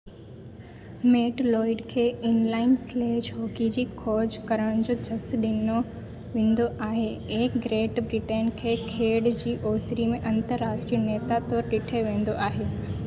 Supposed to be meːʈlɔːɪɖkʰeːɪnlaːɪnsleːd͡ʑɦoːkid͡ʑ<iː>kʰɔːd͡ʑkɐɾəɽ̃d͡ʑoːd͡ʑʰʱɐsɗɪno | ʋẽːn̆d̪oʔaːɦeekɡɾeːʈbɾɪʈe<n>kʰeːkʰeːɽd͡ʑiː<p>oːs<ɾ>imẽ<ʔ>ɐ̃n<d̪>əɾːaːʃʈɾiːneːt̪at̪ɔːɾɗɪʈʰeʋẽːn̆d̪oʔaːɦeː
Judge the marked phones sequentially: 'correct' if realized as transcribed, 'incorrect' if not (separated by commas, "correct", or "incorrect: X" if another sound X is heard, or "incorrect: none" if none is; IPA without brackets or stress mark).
correct, correct, incorrect: ʔ, correct, correct, incorrect: t̪